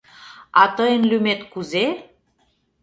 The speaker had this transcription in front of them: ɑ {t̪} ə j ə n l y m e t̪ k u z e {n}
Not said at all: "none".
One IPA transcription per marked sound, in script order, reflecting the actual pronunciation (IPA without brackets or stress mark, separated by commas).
t̪, none